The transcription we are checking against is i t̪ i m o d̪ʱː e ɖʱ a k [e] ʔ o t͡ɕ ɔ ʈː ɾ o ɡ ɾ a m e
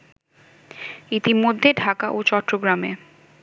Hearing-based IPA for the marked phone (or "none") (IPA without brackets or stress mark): a